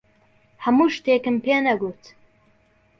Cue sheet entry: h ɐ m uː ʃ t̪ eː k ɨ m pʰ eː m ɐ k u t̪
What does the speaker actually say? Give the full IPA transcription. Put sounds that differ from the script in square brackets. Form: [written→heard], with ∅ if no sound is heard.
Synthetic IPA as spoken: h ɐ m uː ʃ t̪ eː k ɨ m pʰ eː [m→n] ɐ [k→ɡ] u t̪